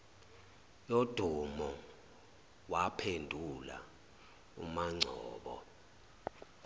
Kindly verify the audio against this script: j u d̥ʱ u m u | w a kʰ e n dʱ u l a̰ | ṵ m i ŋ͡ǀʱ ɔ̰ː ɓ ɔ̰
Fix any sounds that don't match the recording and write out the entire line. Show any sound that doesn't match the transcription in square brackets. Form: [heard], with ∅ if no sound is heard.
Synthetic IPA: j [o] d̥ʱ u m [ɔ] | w a [pʰ] e n dʱ u l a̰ | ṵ m [a] ŋ͡ǀʱ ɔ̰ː ɓ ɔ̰